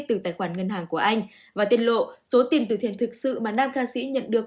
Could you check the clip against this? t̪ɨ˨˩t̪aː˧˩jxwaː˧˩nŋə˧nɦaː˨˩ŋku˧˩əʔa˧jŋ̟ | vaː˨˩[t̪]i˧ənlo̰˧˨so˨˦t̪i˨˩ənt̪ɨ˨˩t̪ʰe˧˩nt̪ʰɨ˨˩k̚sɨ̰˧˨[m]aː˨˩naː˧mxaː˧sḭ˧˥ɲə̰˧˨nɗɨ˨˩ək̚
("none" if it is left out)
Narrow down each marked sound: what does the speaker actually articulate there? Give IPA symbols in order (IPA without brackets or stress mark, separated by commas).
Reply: t̪, m